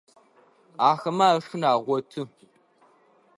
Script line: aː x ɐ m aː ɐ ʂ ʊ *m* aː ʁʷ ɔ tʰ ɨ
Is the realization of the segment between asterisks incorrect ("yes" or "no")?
yes